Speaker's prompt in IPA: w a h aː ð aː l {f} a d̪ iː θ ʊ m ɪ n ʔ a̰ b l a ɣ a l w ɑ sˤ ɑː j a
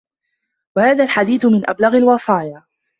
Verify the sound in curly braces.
incorrect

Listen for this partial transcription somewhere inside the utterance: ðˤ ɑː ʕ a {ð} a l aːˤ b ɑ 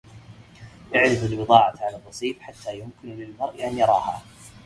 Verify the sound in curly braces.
incorrect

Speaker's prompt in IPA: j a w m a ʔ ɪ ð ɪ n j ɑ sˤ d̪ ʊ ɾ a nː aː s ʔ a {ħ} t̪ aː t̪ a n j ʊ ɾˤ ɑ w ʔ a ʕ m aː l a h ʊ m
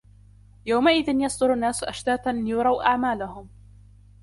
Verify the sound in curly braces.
incorrect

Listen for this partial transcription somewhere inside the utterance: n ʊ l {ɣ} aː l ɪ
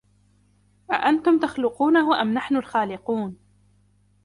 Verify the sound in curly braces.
incorrect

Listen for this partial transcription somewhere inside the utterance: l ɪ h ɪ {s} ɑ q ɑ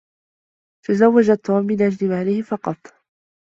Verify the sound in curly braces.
incorrect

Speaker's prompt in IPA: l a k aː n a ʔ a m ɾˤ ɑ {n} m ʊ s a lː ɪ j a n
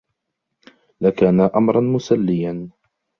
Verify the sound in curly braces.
correct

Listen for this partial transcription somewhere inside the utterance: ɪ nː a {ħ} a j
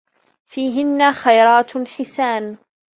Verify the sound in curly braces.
incorrect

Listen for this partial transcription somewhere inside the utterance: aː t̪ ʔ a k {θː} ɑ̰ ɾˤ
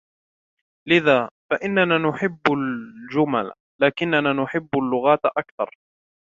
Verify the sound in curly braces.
incorrect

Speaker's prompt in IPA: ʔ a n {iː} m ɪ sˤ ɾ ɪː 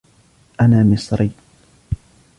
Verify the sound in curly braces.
incorrect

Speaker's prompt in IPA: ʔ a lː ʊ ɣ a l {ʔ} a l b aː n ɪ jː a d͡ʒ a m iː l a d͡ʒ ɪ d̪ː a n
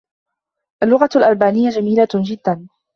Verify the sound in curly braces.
correct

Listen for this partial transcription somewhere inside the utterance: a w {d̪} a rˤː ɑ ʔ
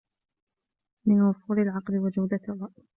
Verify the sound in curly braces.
correct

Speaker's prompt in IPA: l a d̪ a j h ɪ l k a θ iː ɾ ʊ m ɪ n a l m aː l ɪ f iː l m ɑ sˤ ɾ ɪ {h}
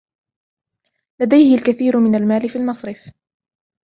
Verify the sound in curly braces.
incorrect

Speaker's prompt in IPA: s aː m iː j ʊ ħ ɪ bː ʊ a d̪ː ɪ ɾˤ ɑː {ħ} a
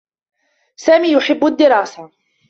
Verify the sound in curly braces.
incorrect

